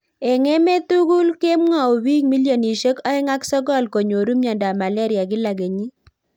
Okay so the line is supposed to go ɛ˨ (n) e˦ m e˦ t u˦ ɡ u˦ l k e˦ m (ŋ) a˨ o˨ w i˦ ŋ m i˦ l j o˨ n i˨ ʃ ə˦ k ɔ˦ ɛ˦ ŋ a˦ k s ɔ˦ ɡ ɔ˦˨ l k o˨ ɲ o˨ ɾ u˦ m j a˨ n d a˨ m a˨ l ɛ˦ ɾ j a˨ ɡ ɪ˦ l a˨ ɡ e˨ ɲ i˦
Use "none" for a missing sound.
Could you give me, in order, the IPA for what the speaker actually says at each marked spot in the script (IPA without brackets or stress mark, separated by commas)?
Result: ŋ, ŋ